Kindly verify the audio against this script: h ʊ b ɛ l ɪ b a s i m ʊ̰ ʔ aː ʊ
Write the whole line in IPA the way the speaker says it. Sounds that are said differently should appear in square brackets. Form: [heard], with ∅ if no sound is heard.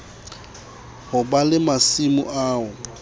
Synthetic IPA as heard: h ʊ b [a] l ɪ [m] a s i m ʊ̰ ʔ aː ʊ